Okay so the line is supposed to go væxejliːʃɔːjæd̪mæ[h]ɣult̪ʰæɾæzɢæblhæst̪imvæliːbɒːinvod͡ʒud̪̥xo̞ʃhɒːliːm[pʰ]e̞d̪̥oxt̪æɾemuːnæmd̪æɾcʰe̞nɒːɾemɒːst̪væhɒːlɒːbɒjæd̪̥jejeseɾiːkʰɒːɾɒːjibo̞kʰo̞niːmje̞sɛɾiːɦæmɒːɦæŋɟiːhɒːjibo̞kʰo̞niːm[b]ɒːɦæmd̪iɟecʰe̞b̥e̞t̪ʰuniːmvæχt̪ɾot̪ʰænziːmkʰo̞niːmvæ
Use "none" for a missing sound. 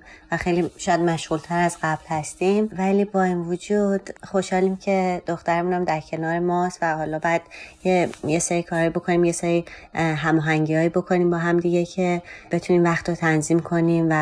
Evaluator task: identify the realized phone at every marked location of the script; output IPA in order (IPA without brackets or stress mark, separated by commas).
ʃ, cʰ, b